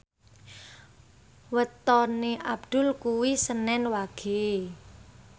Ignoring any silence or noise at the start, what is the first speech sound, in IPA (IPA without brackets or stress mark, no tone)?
w